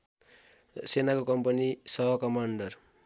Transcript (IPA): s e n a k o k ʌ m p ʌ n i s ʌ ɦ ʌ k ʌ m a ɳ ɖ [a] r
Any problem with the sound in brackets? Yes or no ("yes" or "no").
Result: yes